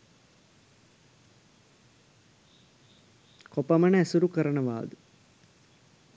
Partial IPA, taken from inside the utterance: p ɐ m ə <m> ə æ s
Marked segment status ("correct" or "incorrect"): incorrect